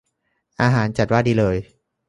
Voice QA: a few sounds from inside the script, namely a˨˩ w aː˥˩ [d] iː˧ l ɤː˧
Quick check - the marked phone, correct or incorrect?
correct